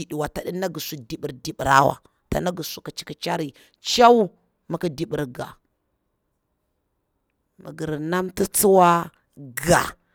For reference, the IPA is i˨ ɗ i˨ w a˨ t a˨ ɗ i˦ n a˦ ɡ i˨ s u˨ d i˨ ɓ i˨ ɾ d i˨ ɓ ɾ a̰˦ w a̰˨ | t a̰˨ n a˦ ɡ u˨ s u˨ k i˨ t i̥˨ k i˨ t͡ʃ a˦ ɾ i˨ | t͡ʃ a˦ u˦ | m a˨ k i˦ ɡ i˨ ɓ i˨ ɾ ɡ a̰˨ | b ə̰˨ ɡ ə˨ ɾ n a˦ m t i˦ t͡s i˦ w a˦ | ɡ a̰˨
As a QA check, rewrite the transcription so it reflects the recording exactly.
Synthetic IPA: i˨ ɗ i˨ w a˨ t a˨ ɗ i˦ n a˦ ɡ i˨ s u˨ d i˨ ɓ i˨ ɾ d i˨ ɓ ɾ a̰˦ w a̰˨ | t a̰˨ n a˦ ɡ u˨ s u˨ k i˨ t͡ʃ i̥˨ k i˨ t͡ʃ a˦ ɾ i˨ | t͡ʃ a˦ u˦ | m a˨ k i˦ d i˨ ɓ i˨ ɾ ɡ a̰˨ | m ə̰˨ ɡ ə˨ ɾ n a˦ m t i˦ t͡s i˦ w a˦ | ɡ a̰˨